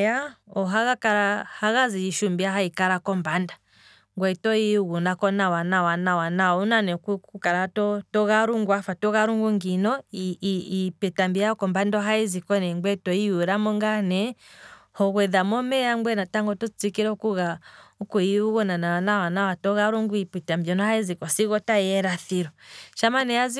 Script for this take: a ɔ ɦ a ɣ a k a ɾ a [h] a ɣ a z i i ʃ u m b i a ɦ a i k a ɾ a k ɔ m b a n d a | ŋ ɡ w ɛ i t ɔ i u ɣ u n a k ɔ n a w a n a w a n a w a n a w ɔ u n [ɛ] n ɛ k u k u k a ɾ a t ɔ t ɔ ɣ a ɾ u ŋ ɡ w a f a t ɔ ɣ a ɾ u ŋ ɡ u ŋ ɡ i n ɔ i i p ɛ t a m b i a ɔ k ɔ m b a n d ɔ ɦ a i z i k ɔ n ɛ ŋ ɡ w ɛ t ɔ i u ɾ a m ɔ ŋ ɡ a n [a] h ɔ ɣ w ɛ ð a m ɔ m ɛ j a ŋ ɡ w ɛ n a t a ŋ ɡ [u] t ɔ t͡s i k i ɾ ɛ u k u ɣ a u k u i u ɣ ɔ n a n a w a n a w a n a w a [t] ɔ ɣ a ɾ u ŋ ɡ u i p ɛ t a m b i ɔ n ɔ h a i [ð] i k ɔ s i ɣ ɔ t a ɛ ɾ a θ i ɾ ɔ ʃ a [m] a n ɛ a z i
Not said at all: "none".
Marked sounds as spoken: h, a, ɛ, ɔ, t, z, m

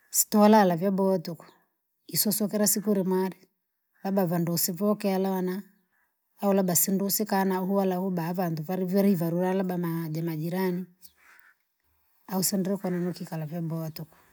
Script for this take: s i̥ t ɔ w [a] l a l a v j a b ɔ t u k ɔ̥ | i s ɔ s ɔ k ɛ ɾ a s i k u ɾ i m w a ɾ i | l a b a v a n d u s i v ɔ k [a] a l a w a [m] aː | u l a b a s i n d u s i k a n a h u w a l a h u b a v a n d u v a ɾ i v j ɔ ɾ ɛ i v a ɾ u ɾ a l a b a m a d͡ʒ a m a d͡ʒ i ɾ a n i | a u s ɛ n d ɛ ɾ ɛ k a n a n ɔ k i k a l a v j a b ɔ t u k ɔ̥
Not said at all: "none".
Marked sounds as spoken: a, ɛ, n

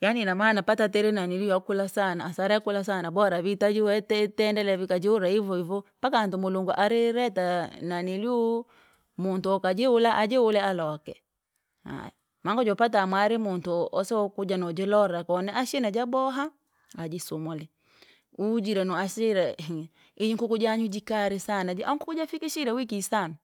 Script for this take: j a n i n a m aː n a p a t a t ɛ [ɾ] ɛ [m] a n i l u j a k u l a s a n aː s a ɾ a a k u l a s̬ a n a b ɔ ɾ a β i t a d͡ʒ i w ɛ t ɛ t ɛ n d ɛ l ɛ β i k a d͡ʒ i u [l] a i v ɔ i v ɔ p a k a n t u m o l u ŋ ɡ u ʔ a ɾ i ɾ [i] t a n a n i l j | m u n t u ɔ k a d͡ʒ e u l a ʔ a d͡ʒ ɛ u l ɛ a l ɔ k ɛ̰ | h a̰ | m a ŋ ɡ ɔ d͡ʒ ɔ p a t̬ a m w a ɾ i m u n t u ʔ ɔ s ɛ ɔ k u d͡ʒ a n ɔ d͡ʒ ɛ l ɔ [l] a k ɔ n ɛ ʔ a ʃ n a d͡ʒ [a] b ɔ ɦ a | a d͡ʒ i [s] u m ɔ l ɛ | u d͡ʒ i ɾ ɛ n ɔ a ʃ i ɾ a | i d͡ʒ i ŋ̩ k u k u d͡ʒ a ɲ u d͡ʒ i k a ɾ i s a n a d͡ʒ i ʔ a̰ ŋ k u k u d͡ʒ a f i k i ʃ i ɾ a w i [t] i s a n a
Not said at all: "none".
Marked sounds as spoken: ɾ, n, ɾ, ɛ, ɾ, a, s, k

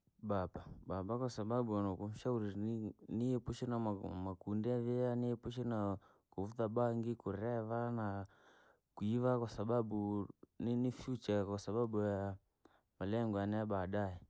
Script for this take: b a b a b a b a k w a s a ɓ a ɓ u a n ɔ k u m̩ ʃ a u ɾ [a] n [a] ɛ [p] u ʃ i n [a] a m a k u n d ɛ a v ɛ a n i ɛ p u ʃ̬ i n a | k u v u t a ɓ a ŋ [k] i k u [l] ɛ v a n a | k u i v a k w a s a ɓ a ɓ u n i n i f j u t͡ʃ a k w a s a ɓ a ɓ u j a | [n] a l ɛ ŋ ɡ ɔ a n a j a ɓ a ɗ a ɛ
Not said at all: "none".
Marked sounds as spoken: i, i, p, a, ɡ, ɾ, m

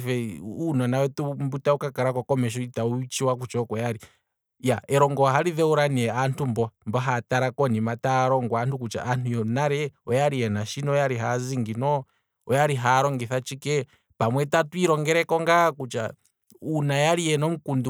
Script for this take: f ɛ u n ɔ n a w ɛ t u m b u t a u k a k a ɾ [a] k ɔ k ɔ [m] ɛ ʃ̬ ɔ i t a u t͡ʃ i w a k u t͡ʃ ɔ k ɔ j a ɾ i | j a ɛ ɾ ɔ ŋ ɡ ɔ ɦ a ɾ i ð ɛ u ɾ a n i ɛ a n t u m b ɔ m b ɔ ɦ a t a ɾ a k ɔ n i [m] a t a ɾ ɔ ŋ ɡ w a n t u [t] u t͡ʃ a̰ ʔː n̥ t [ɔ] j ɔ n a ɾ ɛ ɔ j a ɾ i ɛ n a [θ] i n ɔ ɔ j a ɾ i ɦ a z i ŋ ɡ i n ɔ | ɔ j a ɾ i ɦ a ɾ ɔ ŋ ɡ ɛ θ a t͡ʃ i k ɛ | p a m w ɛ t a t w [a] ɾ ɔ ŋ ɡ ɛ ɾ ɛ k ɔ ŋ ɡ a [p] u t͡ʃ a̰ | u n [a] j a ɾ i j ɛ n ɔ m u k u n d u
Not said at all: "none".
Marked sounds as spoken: a, m, m, k, u, ʃ, i, k, a

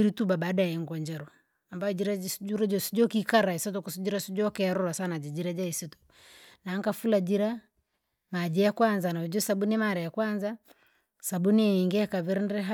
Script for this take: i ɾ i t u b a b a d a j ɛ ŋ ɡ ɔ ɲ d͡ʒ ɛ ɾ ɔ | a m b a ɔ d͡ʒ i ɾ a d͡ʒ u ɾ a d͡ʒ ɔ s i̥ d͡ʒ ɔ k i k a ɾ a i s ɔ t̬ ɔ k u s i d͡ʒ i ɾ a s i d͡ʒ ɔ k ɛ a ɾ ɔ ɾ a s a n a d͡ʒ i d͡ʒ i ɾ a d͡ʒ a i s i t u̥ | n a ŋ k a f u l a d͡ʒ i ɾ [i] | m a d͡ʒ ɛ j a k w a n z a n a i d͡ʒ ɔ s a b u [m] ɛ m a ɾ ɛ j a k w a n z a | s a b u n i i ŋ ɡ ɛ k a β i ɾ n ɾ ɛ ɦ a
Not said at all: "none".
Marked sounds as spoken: a, n

